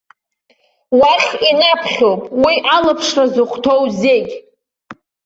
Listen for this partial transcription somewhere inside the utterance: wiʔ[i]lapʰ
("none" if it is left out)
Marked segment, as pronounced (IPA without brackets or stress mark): a